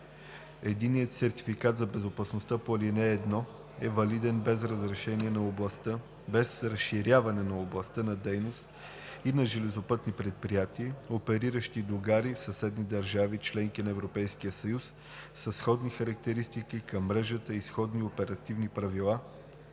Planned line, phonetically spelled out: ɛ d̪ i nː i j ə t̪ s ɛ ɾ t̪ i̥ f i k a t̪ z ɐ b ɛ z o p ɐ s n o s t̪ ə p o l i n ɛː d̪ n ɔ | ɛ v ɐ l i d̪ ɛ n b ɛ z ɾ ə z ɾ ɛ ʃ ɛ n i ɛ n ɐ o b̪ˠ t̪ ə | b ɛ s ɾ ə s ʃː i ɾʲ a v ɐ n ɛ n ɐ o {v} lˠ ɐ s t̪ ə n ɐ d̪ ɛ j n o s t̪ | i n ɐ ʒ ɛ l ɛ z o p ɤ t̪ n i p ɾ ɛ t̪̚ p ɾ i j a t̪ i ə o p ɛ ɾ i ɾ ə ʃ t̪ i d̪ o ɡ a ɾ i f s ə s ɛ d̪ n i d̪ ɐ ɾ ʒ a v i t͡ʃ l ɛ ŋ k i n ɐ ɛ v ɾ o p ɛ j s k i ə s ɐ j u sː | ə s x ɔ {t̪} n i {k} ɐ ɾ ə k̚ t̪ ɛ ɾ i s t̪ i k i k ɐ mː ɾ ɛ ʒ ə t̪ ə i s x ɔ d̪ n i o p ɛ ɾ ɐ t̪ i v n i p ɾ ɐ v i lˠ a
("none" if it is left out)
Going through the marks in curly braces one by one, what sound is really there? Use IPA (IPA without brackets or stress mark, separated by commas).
b, d̪, x